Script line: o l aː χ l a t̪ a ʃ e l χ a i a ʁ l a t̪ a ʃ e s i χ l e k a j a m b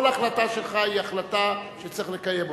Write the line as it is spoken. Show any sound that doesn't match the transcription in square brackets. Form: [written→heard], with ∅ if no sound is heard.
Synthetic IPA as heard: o l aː χ l a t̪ a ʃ e l χ a i a [ʁ→χ] l a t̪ a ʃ e [s→t͡s] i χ l e k a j [a→e] m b